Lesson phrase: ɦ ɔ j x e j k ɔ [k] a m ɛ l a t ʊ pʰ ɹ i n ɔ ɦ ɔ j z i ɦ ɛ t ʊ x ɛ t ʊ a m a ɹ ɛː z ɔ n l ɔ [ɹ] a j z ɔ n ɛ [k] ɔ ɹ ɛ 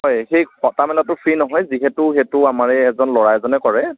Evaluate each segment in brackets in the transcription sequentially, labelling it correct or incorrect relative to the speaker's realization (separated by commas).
incorrect, correct, correct